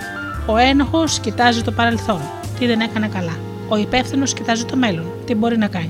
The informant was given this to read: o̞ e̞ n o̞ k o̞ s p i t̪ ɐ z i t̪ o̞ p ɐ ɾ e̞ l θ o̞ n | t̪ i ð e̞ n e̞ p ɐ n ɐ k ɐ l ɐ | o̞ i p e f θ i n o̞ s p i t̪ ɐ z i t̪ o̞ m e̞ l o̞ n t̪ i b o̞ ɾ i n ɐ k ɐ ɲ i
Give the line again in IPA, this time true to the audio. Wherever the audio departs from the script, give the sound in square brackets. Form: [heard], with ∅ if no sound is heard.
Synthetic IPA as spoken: o̞ e̞ n o̞ [x] o̞ s [c] i t̪ ɐ z i t̪ o̞ p ɐ ɾ e̞ l θ o̞ n | t̪ i ð e̞ n e̞ [k] ɐ n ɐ k ɐ l ɐ | o̞ i p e f θ i n o̞ s [c] i t̪ ɐ z i t̪ o̞ m e̞ l o̞ n t̪ i b o̞ ɾ i n ɐ k ɐ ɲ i